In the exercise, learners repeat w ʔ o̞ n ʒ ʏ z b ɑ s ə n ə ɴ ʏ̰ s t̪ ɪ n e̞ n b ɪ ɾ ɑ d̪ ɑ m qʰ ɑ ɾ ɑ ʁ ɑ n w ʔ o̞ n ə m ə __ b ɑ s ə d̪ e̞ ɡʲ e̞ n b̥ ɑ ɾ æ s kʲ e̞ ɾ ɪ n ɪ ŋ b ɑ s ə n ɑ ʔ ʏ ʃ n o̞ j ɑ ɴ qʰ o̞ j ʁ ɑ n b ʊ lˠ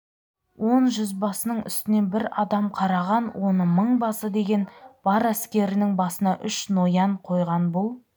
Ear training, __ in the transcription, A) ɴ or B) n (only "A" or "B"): A